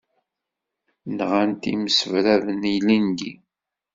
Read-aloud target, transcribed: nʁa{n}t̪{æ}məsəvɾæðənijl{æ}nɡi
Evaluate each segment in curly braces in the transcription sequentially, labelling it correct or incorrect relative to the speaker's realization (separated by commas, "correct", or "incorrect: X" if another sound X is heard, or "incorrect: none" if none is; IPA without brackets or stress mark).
correct, incorrect: i, incorrect: i